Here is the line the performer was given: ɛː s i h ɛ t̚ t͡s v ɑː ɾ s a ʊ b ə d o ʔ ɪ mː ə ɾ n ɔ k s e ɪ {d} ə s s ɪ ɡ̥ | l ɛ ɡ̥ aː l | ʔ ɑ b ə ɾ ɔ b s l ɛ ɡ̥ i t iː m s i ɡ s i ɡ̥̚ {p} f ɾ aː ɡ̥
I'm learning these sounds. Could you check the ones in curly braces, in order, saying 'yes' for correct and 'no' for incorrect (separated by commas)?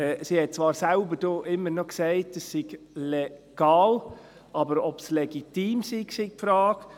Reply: no, yes